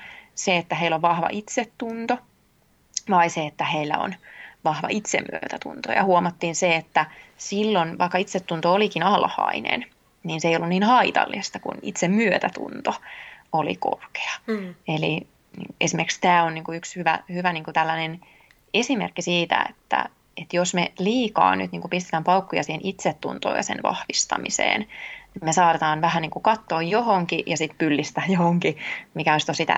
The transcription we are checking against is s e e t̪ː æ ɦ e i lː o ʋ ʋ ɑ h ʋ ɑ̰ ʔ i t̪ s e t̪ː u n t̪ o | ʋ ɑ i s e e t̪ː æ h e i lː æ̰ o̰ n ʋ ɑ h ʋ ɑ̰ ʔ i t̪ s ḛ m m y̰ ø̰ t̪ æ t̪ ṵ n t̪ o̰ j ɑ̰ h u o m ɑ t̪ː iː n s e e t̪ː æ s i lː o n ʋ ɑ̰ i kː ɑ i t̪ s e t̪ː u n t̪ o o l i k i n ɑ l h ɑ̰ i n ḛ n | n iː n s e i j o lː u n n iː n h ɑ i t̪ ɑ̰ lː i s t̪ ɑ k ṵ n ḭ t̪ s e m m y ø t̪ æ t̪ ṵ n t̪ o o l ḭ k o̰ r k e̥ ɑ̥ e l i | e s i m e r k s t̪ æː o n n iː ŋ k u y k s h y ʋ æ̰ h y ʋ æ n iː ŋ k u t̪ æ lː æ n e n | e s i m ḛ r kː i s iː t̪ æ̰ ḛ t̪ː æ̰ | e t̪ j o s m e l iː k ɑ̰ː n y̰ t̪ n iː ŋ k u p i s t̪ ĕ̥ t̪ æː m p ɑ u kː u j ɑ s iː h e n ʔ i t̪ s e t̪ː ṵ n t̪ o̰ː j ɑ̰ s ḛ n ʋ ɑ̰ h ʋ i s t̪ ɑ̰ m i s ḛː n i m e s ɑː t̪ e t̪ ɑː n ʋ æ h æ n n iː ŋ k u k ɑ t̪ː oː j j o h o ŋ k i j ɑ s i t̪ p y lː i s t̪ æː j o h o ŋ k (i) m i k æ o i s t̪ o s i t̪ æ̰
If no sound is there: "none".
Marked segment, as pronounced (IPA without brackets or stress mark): i